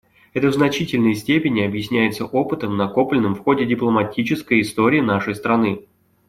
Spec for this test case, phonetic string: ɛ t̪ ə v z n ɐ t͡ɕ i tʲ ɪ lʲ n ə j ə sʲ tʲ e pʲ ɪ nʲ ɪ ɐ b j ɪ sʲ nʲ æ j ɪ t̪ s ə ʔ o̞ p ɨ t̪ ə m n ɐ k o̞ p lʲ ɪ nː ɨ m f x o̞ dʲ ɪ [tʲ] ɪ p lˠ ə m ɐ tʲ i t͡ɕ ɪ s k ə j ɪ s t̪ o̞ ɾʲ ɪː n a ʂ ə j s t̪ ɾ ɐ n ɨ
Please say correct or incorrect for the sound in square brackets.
incorrect